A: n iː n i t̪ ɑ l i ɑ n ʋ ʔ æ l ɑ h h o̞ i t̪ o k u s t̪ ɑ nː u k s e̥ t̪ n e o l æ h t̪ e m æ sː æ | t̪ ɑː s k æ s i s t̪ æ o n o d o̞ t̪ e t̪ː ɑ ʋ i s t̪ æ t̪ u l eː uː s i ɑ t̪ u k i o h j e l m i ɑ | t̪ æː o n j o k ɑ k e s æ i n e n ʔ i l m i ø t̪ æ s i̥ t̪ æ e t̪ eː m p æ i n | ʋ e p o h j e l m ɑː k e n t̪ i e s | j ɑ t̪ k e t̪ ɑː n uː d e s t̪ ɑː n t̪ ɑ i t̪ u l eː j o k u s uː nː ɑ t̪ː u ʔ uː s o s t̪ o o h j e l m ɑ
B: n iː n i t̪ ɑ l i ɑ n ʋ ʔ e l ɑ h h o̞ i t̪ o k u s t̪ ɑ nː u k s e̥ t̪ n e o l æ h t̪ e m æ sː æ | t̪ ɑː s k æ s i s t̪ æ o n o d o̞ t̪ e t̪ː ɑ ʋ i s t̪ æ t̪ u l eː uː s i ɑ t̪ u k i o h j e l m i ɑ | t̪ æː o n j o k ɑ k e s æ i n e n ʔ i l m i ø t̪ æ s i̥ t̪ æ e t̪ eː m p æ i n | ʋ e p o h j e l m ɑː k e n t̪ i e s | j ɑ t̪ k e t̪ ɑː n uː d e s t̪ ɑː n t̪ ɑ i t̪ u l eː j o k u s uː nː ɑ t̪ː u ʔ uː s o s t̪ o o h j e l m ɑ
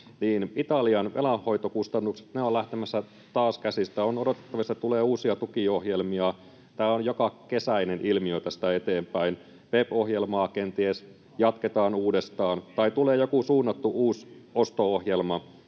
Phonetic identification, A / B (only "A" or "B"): B